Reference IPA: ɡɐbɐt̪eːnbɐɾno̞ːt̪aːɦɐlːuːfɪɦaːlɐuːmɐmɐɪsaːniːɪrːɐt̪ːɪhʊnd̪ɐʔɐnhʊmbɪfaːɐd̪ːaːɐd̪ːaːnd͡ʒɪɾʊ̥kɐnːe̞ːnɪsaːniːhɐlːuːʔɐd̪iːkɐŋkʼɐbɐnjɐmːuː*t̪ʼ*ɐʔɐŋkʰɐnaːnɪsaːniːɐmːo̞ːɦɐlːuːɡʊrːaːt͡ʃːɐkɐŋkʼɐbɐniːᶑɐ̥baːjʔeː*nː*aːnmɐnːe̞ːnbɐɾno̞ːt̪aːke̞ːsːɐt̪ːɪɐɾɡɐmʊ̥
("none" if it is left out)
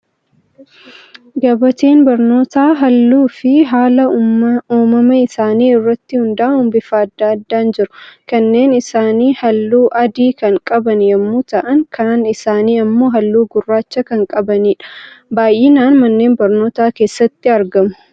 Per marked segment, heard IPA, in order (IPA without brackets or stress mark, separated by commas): t̪, n